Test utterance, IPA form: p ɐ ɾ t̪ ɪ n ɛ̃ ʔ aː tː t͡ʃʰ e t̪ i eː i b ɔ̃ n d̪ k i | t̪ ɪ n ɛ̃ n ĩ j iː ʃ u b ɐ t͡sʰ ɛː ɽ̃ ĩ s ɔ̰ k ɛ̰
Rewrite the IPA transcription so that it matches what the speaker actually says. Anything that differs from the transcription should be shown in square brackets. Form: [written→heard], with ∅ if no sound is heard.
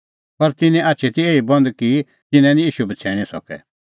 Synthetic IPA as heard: p ɐ ɾ t̪ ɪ n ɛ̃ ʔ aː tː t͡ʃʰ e t̪ i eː i b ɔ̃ n d̪ k i | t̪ ɪ n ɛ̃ n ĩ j iː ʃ u b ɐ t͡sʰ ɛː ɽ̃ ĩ s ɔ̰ k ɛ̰